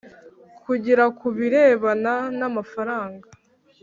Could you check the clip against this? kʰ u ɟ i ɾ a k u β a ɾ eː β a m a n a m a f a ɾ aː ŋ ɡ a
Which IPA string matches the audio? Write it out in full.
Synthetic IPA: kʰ u ɟ i ɾ a k u β i ɾ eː β a n a n a m a f a ɾ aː ŋ ɡ a

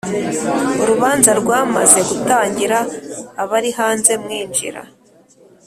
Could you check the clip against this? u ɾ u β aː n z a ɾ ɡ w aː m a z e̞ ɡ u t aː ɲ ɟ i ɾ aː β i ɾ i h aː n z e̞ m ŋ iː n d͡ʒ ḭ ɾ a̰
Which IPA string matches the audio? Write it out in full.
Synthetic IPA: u ɾ u β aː n z a ɾ ɡ w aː m a z e̞ ɡ u t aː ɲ ɟ i ɾ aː β a ɾ i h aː n z e̞ m ŋ iː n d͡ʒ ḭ ɾ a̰

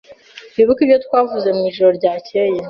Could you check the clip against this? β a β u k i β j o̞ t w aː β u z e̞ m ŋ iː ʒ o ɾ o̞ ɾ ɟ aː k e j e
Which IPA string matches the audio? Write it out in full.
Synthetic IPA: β i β u k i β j o̞ t w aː v u z e̞ m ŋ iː ʒ o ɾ o̞ ɾ ɟ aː c e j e

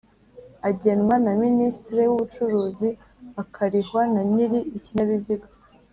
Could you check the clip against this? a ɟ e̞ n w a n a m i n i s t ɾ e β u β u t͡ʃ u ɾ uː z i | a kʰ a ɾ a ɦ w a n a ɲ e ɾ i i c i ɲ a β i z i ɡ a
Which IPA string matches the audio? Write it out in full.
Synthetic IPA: a ɟ e̞ n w a n a m i n i s t ɾ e w u β u t͡ʃ u ɾ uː z i | a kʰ a ɾ i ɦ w a n a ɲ i ɾ i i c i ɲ a β i z i ɡ a

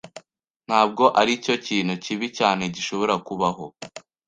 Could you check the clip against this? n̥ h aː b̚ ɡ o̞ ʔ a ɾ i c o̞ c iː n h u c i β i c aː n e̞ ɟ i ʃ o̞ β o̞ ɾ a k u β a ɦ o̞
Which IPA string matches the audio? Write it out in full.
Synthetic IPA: n̥ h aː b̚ ɡ o̞ ʔ a ɾ i c o̞ c iː n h u c i β i c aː n e̞ ɟ i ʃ o̞ β o̞ ɾ a k u β a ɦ o̞

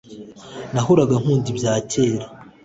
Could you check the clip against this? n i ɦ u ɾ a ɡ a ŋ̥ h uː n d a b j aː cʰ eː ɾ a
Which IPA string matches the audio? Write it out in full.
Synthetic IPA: n a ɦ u ɾ a ɡ a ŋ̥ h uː n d i b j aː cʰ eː ɾ a

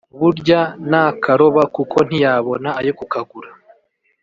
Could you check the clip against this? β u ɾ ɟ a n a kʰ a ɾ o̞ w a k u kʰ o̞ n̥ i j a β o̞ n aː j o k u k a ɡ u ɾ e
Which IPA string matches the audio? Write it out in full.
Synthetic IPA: β u ɾ ɟ a n a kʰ a ɾ o̞ β a k u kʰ o̞ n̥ i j a β o̞ n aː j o k u k a ɡ u ɾ a

